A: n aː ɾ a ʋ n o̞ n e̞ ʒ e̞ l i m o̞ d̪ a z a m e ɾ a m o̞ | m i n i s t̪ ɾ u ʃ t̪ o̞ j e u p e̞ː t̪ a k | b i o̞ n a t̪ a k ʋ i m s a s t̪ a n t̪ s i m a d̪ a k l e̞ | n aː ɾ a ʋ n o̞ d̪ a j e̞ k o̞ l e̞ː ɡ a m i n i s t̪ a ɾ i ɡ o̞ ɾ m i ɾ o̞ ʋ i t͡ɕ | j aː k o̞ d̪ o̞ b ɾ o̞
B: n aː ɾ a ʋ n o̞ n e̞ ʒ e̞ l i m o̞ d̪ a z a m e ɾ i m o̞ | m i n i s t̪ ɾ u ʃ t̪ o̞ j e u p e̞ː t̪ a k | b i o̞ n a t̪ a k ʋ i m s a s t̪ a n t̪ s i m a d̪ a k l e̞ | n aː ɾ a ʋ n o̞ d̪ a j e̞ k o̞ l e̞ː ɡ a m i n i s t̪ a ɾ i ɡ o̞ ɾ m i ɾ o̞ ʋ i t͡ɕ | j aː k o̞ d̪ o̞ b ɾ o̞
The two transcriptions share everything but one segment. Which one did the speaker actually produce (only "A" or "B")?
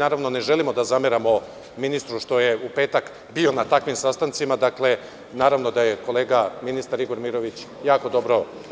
A